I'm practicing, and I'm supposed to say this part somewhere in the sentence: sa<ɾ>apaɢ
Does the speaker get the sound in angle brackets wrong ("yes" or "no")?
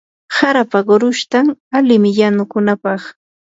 no